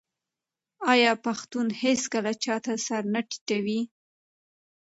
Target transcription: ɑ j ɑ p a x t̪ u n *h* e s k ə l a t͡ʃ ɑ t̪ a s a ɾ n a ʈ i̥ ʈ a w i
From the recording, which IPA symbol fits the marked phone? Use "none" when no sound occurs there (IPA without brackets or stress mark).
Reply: h